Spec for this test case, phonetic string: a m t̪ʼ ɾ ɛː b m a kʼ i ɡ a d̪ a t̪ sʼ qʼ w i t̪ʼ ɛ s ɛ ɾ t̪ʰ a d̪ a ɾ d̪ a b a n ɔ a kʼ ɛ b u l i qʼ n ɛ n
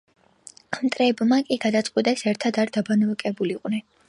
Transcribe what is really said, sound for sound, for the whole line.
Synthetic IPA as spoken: a m t̪ʼ ɾ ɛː b m a kʼ i ɡ a d̪ a t̪ sʼ qʼ w i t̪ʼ ɛ s ɛ ɾ t̪ʰ a d̪ a ɾ d̪ a b a n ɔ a kʼ ɛ b u l i qʼ n ɛ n

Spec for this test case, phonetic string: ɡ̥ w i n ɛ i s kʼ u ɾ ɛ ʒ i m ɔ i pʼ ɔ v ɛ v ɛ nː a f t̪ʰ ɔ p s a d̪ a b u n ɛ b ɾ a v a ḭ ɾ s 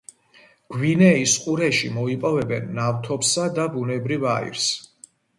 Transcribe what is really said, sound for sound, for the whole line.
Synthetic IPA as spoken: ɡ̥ w i n ɛ i s qʼ u ɾ ɛ ʃ i m ɔ i pʼ ɔ v ɛ b ɛ nː a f t̪ʰ ɔ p s a d̪ a b u n ɛ b ɾ i v a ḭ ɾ s

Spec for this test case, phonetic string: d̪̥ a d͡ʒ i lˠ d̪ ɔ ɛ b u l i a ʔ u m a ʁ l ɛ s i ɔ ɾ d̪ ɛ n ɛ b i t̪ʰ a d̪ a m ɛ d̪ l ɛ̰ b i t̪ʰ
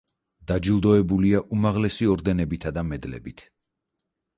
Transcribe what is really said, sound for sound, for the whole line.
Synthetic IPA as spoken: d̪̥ a d͡ʒ i lˠ d̪ ɔ ɛ b u l i a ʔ u m a ʁ l ɛ s i ɔ ɾ d̪ ɛ n ɛ b i t̪ʰ a d̪ a m ɛ d̪ l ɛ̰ b i t̪ʰ

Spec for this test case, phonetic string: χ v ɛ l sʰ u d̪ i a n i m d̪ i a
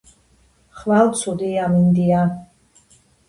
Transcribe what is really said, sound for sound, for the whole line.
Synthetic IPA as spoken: χ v a l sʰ u d̪ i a m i n d̪ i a

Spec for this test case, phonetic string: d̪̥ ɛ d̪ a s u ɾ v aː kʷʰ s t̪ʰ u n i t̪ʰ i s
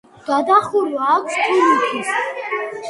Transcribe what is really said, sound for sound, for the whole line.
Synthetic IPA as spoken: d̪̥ a d̪ a χ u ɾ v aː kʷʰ s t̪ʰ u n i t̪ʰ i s

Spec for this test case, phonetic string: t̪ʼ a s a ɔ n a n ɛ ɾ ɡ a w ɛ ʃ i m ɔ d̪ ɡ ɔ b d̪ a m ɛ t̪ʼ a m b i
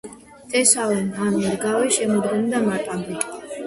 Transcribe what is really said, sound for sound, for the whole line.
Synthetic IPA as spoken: t̪ʼ ɛ s a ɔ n a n ɛ ɾ ɡ a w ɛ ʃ ɛ m ɔ d̪ ɡ ɔ m d̪ a m a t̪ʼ a m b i

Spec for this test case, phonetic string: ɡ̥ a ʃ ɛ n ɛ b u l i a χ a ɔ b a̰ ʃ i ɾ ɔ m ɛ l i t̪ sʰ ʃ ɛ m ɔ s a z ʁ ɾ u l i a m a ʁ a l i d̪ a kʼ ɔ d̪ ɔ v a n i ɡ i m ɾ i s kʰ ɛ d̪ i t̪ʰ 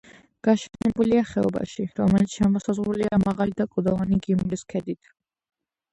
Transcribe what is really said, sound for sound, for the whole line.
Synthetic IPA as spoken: ɡ̥ a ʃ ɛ n ɛ b u l i a χ ɛ ɔ b a̰ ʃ i ɾ ɔ m ɛ l i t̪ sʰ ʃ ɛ m ɔ s a z ʁ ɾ u l i a m a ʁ a l i d̪ a kʼ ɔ d̪ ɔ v a n i ɡ i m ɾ i s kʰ ɛ d̪ i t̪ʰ

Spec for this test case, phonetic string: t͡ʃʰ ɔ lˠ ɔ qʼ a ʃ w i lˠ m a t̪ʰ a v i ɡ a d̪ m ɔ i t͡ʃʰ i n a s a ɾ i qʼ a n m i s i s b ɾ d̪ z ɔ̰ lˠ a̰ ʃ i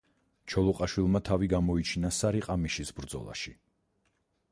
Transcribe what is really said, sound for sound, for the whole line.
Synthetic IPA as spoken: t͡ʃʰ ɔ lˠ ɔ qʼ a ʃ w i lˠ m a t̪ʰ a v i ɡ a m ɔ i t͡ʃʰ i n a s a ɾ i qʼ a m i ʃ i s b ɾ d̪ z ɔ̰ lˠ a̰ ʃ i

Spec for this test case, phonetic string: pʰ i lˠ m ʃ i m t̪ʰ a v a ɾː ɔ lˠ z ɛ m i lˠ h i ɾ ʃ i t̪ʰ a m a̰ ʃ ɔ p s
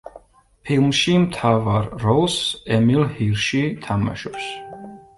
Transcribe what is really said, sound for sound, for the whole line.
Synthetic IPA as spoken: pʰ i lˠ m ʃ i m t̪ʰ a v a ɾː ɔ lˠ s ɛ m i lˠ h i ɾ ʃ i t̪ʰ a m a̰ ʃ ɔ p s

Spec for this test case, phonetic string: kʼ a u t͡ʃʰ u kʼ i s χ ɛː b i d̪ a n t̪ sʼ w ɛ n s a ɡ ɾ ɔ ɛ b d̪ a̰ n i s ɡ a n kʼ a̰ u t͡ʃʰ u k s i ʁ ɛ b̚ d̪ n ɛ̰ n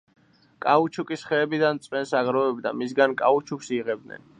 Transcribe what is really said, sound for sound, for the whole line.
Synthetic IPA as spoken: kʼ a u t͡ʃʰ u kʼ i s χ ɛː b i d̪ a n t̪ sʼ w ɛ n s a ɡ ɾ ɔ ɛ b d̪ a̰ m i s ɡ a n kʼ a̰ u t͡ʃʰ u k s i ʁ ɛ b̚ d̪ n ɛ̰ n

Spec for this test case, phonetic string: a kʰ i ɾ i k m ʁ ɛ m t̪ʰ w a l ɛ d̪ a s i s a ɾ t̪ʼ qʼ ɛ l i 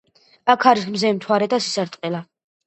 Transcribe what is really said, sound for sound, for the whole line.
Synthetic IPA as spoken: a kʰ a ɾ i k m z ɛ m t̪ʰ w a ɾ ɛ d̪ a s i s a ɾ t̪ʼ qʼ ɛ l a

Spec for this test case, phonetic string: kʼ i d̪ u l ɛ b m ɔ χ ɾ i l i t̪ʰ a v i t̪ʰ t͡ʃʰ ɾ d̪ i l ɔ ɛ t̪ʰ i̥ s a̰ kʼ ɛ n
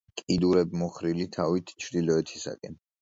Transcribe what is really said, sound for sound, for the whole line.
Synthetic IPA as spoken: kʼ i d̪ u ɾ ɛ b m ɔ χ ɾ i l i t̪ʰ a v i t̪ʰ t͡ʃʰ ɾ d̪ i l ɔ ɛ t̪ʰ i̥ s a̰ kʼ ɛ n

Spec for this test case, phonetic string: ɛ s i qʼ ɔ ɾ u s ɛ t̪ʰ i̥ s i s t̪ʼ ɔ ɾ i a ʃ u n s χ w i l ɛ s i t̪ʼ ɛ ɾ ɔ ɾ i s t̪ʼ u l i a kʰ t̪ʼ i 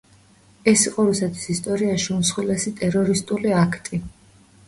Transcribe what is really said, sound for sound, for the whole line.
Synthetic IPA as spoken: ɛ s i qʼ ɔ ɾ u s ɛ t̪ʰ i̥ s i s t̪ʼ ɔ ɾ i a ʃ u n s χ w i l ɛ s i t̪ʼ ɛ ɾ ɔ ɾ i s t̪ʼ u l i a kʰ t̪ʼ i

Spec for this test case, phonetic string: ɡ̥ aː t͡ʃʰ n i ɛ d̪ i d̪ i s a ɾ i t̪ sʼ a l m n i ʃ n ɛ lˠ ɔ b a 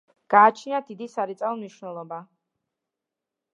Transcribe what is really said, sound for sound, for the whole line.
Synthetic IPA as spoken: ɡ̥ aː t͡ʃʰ n i a d̪ i d̪ i s a ɾ i t̪ sʼ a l m n i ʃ n ɛ lˠ ɔ b a

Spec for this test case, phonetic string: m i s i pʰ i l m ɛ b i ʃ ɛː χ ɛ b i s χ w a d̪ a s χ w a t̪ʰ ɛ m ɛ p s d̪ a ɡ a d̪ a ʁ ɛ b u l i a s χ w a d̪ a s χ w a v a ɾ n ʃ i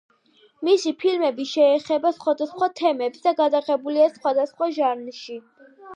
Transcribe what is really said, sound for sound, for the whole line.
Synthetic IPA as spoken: m i s i pʰ i l m ɛ b i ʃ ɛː χ ɛ b a s χ w a d̪ a s χ w a t̪ʰ ɛ m ɛ p s d̪ a ɡ a d̪ a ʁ ɛ b u l i a s χ w a d̪ a s χ w a ʒ a ɾ n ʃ i

